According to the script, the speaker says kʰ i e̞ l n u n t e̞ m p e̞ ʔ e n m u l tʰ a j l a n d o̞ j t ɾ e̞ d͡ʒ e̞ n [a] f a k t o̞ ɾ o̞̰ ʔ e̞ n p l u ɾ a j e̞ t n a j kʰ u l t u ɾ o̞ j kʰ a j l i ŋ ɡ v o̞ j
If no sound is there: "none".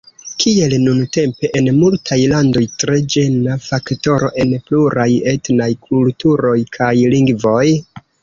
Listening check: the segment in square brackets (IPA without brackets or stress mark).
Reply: a